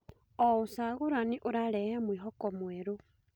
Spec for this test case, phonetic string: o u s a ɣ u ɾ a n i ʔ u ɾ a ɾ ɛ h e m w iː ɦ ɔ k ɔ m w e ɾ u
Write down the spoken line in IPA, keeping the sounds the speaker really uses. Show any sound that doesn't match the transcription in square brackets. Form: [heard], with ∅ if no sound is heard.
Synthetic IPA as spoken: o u s a ɣ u ɾ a n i ʔ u ɾ a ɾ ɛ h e m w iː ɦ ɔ k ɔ m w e ɾ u